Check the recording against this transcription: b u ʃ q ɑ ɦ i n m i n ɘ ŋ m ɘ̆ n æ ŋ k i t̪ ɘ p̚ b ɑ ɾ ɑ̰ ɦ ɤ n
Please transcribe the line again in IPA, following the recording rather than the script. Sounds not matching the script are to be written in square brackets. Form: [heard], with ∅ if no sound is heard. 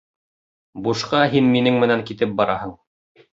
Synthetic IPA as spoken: b u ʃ q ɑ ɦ i n m i n ɘ ŋ m ɘ̆ n æ ŋ k i t̪ ɘ p̚ b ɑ ɾ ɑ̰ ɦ ɤ [ɴ]